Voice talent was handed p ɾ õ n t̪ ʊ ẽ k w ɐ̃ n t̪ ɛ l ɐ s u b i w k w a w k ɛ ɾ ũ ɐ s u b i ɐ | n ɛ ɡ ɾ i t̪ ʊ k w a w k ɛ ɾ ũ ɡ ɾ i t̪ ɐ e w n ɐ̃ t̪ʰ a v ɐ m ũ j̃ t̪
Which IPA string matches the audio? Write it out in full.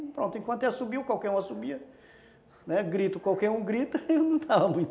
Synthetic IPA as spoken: p ɾ õ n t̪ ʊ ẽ k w ɐ̃ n t̪ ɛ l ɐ s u b i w k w a w k ɛ ɾ ũ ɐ s u b i ɐ | n ɛ ɡ ɾ i t̪ ʊ k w a w k ɛ ɾ ũ ɡ ɾ i t̪ ɐ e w n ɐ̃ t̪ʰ a v ɐ m ũ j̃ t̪